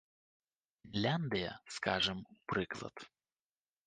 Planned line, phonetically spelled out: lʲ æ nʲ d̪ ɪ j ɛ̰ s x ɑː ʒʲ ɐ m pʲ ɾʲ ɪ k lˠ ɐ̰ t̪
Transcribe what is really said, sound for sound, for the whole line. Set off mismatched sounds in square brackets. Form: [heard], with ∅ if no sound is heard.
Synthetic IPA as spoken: lʲ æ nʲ d̪ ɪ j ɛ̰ s [k] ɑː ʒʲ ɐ m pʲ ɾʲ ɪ k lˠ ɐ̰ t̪